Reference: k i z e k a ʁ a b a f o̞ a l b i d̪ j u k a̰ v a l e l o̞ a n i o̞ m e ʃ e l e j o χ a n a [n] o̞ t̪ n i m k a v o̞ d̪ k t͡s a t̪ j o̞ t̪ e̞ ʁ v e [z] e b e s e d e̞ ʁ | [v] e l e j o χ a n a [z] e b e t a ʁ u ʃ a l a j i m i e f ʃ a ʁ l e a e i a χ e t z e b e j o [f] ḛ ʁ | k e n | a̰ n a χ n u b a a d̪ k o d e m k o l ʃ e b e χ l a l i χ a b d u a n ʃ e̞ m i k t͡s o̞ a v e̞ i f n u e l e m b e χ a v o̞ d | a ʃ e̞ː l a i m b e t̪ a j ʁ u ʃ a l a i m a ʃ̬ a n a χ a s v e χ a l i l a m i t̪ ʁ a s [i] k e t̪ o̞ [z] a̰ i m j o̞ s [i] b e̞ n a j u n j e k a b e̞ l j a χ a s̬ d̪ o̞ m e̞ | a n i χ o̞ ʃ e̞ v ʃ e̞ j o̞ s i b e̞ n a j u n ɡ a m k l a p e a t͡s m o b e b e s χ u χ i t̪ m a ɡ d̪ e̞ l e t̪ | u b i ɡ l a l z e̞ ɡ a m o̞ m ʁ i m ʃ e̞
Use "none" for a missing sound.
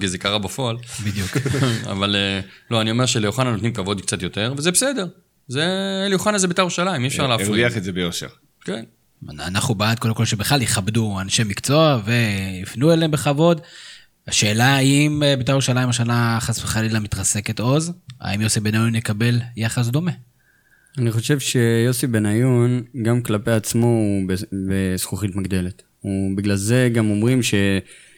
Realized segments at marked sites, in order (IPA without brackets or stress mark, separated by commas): n, z, z, z, ʃ, e, z, i